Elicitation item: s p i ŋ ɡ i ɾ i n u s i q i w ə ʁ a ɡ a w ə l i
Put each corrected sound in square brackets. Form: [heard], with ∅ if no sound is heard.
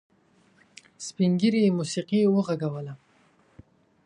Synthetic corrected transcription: s p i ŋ ɡ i ɾ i [m] u s i q i w ə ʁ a ɡ a w ə l [a]